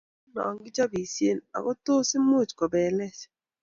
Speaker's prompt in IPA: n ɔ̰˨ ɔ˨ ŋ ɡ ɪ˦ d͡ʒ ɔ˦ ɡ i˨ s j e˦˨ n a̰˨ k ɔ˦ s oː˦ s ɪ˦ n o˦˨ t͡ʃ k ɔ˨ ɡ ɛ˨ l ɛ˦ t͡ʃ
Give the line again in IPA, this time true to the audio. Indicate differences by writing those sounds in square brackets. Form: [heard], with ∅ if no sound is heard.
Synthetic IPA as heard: n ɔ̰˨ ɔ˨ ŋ ɡ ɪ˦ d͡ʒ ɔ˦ [b] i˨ s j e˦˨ n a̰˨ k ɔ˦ [t] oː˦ s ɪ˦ [m] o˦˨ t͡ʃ k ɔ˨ [b] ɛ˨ l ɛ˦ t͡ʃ